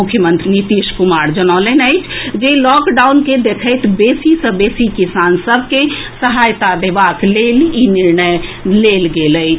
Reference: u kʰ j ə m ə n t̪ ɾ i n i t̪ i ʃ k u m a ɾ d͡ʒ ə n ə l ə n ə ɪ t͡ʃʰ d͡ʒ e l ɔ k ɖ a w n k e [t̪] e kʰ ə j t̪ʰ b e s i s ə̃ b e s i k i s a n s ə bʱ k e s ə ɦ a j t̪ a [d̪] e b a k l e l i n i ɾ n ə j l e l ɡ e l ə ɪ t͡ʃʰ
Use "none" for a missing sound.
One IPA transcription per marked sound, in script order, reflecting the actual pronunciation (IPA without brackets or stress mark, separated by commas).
d̪, d̪